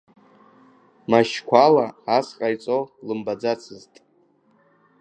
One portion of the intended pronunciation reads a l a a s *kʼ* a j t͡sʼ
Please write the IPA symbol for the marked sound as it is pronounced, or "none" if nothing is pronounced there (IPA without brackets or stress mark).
qʼ